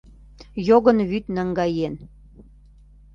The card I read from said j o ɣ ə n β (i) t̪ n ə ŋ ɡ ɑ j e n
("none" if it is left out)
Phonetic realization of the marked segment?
y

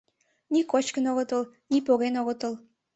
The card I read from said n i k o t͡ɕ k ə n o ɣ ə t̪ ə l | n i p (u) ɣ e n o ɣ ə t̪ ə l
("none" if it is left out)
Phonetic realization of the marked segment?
o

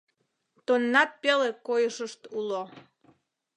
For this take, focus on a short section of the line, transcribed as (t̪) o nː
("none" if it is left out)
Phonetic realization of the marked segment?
t̪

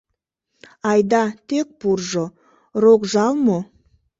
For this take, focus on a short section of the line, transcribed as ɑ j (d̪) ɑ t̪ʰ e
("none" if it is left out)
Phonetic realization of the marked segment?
d̪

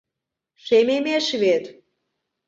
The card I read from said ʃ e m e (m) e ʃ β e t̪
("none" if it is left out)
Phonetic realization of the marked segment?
m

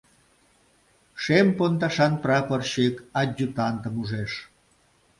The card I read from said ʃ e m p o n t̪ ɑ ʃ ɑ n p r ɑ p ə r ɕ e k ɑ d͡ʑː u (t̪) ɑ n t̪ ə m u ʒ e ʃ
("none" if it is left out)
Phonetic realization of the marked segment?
t̪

